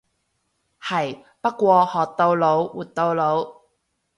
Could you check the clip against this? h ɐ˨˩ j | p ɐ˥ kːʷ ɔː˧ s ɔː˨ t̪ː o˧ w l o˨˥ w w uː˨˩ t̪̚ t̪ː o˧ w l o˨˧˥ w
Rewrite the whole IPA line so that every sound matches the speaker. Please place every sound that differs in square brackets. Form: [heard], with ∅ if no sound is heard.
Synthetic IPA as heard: h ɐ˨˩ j | p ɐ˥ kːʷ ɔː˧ [h] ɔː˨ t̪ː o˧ w l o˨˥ w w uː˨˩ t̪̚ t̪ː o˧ w l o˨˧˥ w